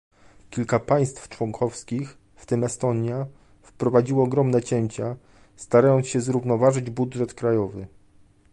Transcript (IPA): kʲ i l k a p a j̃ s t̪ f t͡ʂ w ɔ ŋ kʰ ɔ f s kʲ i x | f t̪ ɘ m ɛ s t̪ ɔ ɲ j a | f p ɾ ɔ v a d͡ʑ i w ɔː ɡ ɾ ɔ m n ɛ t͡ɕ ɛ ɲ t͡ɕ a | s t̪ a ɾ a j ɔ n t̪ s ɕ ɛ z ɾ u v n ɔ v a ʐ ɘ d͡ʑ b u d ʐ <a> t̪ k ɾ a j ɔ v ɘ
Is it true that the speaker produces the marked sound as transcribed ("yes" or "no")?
no